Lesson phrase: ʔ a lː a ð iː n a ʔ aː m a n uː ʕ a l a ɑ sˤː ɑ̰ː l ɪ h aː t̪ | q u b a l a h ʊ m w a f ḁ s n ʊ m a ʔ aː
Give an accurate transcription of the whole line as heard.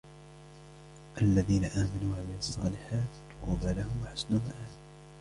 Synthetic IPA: ʔ a lː a ð iː n a ʔ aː m a n uː ʕ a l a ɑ sˤː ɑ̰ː l ɪ ħ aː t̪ | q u b a l a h ʊ m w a ħ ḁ s n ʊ m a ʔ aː